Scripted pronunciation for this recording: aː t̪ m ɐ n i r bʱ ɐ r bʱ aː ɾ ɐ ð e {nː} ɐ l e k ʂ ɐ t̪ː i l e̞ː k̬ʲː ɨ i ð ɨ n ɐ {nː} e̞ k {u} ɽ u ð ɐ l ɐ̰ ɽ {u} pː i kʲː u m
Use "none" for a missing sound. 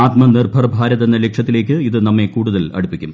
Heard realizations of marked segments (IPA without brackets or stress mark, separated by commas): nː, mː, uː, u